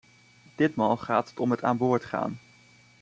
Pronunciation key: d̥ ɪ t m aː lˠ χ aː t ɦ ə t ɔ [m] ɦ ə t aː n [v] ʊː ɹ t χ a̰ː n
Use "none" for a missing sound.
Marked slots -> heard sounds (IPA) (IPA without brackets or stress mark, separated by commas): m, b